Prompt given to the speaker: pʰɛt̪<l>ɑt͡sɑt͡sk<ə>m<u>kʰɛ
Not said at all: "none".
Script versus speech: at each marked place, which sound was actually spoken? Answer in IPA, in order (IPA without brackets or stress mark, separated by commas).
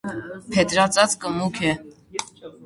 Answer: ɾ, ə, u